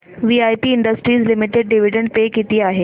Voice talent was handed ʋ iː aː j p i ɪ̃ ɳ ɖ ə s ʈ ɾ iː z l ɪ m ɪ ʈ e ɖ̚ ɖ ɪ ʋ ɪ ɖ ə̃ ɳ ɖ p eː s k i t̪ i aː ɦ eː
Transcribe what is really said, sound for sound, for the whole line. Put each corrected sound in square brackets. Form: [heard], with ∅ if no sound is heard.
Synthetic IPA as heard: ʋ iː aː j p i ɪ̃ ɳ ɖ ə s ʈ ɾ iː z l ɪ m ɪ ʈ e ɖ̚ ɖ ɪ ʋ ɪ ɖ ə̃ ɳ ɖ p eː [∅] k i t̪ i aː ɦ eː